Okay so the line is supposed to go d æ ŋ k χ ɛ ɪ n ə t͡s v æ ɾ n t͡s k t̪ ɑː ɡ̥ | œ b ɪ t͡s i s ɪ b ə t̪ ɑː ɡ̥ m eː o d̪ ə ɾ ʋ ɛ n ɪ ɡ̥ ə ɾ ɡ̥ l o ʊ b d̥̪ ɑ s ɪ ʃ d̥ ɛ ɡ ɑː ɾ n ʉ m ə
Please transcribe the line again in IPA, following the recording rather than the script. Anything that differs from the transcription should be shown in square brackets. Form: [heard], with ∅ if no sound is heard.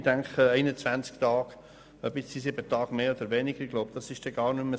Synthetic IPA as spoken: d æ ŋ k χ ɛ ɪ n ə t͡s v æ [∅] n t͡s k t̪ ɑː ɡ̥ | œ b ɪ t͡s i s ɪ b ə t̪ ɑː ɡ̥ m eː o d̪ ə ɾ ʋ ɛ n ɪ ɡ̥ ə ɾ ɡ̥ l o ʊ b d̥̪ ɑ s ɪ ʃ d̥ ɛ ɡ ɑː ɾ n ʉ m ə